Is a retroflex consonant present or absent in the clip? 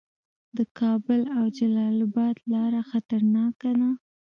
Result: absent